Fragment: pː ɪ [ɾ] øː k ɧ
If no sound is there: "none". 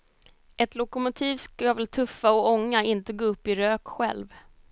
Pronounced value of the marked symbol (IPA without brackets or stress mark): ɾ